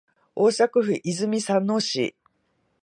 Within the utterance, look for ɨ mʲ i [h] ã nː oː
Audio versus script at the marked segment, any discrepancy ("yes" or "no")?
yes